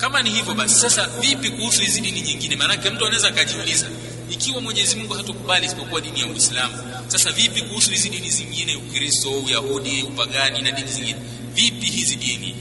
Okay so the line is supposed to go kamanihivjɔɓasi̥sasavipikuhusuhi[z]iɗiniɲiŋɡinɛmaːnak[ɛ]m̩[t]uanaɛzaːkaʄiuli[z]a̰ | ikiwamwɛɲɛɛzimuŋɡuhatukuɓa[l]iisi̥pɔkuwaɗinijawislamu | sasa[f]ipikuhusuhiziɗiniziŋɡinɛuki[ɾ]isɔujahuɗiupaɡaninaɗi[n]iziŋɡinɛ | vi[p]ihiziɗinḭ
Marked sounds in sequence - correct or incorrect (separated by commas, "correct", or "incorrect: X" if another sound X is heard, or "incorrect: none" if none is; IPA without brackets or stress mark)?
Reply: correct, correct, correct, correct, correct, incorrect: v, correct, correct, correct